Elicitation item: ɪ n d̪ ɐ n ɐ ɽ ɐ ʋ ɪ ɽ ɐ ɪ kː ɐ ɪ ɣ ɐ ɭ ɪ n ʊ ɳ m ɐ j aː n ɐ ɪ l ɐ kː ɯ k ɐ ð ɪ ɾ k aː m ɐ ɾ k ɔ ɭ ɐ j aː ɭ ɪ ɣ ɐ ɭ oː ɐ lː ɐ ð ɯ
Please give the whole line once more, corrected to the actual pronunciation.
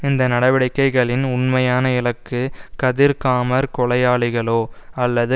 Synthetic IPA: ɪ n d̪ ɐ n ɐ ɽ ɐ ʋ ɪ ɽ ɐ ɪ kː ɐ ɪ ɣ ɐ ɭ ɪ n ʊ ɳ m ɐ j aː n ɐ ɪ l ɐ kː ɯ k ɐ ð ɪ ɾ k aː m ɐ ɾ k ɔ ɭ ɐ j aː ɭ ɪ ɣ ɐ ɭ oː ɐ lː ɐ ð ɯ